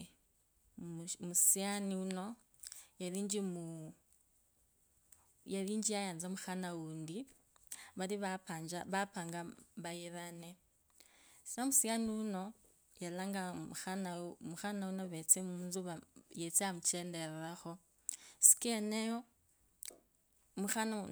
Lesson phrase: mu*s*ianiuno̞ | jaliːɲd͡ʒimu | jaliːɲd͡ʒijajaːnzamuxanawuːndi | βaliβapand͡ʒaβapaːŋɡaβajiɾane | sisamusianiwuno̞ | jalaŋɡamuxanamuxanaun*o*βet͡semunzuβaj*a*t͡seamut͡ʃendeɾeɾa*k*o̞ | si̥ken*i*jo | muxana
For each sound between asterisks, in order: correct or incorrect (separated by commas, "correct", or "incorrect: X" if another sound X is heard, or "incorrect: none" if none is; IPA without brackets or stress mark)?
correct, correct, incorrect: e, incorrect: x, incorrect: e